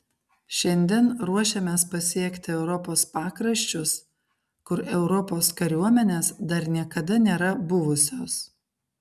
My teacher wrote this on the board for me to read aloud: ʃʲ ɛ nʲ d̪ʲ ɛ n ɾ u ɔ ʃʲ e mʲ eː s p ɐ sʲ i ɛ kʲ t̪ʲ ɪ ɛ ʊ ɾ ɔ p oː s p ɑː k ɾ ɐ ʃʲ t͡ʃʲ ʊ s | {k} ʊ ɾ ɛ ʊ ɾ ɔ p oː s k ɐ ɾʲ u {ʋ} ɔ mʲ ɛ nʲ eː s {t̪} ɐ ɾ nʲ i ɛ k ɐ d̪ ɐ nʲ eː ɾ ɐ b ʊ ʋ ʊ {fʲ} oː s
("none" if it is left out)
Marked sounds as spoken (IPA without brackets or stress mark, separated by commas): k, none, d̪, sʲ